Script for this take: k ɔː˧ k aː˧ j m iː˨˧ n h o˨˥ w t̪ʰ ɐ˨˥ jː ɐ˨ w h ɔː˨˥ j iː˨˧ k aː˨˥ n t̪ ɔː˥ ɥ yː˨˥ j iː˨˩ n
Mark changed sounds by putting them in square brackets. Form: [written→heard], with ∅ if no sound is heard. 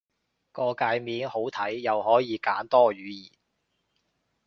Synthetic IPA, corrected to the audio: k ɔː˧ k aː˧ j m iː˨˧ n h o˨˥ w t̪ʰ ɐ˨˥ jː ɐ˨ w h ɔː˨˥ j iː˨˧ k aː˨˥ n t̪ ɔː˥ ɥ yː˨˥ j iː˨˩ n